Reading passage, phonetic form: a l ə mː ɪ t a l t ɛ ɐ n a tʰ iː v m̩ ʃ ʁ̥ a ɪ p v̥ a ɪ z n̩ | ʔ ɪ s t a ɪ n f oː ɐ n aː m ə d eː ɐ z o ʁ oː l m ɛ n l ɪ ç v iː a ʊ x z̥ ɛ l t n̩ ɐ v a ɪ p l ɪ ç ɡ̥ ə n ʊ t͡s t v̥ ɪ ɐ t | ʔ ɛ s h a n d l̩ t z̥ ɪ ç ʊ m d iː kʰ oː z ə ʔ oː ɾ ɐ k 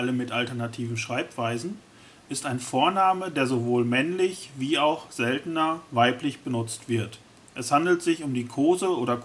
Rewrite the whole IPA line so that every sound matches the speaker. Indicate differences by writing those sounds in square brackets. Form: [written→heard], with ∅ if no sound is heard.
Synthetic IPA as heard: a l ə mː ɪ t a l t ɛ ɐ n a tʰ iː v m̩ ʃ ʁ̥ a ɪ p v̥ a ɪ z n̩ | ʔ ɪ s t a ɪ n f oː ɐ n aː m ə d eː ɐ z o [ʁ→v] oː l m ɛ n l ɪ ç v iː a ʊ x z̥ ɛ l t n̩ ɐ v a ɪ p l ɪ ç [ɡ̥→b̥] ə n ʊ t͡s t v̥ ɪ ɐ t | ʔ ɛ s h a n d l̩ t z̥ ɪ ç ʊ m d iː kʰ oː z ə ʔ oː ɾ ɐ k